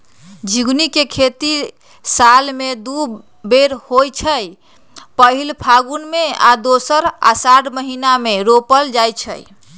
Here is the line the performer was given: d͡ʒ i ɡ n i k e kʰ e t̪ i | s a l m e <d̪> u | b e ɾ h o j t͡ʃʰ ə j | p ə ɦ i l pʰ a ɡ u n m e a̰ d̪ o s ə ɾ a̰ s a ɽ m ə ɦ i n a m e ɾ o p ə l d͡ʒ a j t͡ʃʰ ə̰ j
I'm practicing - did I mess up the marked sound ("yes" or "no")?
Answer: no